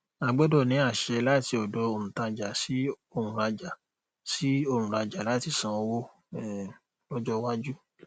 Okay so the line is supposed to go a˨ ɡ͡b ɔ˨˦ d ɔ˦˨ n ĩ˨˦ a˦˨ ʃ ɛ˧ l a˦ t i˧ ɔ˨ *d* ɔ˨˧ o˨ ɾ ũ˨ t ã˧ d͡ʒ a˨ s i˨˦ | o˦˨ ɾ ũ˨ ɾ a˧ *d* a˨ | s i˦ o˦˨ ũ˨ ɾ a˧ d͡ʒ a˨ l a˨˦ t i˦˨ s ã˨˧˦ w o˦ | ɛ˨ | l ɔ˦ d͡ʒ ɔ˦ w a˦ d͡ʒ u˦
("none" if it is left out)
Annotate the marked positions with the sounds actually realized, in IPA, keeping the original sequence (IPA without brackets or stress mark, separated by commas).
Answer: d, d͡ʒ